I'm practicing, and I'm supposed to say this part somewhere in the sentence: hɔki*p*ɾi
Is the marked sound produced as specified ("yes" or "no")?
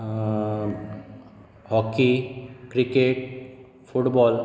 no